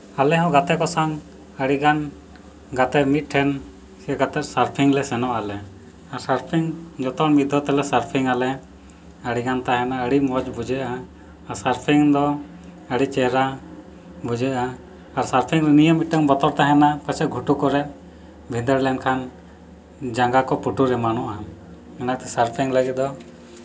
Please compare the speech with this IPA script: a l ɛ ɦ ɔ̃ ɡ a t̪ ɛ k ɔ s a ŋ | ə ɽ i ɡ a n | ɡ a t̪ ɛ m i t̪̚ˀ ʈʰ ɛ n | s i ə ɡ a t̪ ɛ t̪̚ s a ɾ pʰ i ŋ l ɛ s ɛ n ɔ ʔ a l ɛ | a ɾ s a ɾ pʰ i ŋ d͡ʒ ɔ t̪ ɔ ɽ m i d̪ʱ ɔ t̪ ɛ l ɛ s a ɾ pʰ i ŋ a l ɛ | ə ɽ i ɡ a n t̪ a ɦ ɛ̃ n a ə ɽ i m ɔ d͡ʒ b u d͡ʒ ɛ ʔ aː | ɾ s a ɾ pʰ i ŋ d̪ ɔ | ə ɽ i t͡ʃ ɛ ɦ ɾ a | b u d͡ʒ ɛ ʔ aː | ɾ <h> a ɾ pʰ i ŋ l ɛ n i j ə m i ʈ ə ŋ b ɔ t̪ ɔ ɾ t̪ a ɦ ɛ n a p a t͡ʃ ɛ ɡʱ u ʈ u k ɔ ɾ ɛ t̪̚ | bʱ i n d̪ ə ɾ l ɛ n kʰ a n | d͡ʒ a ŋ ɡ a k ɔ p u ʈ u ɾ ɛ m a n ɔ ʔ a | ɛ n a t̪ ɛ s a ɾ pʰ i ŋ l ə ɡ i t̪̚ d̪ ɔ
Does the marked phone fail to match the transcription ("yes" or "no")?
yes